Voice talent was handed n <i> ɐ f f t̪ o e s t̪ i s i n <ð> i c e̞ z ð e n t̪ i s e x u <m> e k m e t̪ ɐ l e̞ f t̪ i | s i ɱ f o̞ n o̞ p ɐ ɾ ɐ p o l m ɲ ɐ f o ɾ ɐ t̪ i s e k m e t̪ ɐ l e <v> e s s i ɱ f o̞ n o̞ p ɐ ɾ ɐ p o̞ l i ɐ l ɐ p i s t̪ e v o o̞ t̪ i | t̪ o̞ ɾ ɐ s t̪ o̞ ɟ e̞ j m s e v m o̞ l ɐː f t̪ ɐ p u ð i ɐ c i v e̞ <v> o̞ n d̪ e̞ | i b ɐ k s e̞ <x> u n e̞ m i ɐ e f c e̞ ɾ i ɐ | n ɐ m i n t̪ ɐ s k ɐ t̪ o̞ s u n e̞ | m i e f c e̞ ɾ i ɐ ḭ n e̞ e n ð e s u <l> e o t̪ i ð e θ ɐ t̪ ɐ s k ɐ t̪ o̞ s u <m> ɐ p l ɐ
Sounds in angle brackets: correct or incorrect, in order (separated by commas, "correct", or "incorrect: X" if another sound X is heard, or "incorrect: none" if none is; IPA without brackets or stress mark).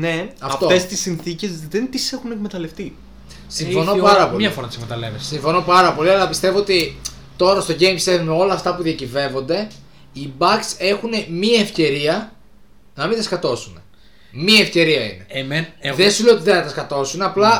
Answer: incorrect: e, incorrect: θ, incorrect: n, correct, correct, correct, correct, incorrect: n